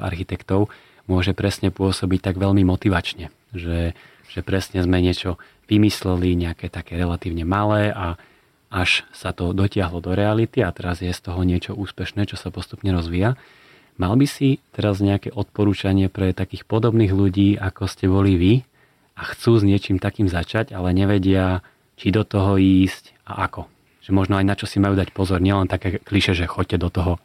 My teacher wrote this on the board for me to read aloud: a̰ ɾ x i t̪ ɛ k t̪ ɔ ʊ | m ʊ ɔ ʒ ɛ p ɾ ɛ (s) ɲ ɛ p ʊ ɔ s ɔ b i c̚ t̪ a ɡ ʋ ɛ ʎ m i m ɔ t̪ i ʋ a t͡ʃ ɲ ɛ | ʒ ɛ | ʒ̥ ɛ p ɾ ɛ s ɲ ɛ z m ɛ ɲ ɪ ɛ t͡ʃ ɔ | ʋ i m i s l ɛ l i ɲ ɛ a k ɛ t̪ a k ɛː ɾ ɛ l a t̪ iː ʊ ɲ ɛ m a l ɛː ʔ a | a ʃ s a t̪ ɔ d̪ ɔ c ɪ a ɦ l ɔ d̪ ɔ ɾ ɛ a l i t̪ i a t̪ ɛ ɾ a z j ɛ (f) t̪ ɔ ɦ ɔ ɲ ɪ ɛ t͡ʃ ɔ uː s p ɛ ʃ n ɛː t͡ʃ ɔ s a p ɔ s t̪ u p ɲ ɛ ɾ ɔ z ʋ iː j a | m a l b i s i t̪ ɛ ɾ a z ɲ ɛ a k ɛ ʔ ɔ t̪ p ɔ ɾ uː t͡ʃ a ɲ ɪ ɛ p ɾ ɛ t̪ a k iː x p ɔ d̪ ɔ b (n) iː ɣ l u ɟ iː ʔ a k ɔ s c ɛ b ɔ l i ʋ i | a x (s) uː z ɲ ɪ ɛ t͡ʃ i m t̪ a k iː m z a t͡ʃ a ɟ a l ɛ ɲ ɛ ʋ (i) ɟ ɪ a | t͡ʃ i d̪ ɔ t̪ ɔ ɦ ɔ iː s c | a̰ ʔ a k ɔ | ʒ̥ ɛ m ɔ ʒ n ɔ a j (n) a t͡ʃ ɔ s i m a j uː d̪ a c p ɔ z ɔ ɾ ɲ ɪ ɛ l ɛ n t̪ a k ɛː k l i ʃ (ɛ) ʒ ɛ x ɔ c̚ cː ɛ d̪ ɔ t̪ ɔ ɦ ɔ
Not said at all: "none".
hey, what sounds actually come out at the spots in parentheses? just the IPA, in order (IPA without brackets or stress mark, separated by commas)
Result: s, s, n, t͡s, ɛ, n, ɛ